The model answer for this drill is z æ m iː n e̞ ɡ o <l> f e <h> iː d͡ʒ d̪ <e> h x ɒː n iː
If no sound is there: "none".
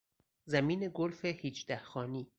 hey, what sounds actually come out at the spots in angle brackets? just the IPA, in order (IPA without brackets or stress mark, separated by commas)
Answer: l, h, æ